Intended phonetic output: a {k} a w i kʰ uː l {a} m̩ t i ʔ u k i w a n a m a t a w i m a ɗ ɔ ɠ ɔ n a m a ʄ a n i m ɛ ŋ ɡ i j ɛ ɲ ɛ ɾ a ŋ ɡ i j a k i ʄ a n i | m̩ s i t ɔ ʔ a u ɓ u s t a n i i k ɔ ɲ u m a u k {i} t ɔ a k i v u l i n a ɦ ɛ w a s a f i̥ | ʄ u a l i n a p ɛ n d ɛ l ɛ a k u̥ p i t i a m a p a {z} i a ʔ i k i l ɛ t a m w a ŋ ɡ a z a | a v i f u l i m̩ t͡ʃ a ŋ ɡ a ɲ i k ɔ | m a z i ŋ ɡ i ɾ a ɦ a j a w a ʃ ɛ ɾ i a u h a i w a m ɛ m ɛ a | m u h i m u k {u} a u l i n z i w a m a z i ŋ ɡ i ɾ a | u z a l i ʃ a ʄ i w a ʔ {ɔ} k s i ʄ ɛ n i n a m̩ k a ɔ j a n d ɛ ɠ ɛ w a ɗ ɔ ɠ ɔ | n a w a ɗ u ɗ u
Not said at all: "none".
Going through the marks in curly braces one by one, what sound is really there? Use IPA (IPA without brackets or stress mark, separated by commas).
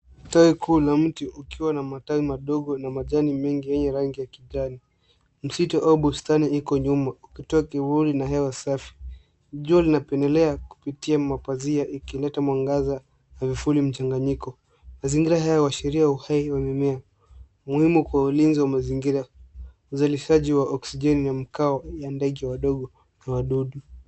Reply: t, a, i, z, w, ɔ